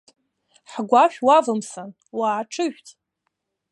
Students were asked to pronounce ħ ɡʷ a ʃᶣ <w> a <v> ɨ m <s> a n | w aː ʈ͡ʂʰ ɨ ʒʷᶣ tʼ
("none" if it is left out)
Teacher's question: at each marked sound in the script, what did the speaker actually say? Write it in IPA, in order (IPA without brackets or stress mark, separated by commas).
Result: w, v, s